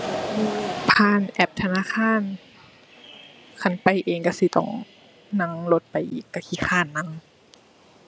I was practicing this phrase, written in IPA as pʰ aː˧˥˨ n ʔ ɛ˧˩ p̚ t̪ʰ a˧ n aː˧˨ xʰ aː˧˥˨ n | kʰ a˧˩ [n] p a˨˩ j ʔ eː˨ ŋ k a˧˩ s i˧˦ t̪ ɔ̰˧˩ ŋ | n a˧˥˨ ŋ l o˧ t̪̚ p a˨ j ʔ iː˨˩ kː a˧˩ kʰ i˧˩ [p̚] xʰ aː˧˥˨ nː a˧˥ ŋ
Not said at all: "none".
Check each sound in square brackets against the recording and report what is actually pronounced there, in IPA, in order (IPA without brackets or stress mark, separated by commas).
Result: n, none